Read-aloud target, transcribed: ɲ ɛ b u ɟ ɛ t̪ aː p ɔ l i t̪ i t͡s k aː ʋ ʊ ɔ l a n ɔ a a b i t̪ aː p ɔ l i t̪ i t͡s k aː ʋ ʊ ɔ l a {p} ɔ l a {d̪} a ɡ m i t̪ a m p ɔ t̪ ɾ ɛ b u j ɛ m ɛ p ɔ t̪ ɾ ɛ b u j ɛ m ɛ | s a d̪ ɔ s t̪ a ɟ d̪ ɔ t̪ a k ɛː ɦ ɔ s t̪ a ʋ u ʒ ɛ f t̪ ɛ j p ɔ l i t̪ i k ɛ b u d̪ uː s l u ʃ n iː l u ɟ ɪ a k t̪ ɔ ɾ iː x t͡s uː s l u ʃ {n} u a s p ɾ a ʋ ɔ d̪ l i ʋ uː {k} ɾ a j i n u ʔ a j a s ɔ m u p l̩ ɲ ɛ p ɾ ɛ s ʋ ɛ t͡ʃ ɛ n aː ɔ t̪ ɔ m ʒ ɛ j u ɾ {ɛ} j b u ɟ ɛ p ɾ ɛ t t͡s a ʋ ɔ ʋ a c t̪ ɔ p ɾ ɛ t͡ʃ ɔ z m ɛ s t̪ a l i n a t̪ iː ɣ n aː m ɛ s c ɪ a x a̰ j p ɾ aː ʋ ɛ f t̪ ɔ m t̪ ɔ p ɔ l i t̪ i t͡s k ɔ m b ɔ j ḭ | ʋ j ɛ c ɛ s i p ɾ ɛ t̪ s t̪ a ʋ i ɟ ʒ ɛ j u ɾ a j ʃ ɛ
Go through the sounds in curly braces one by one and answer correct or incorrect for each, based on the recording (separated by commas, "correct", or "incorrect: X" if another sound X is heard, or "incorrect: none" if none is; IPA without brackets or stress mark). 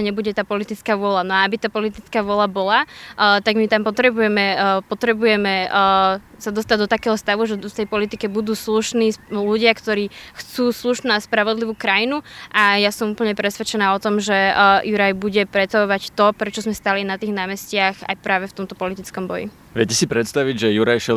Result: incorrect: b, incorrect: t̪, correct, correct, incorrect: a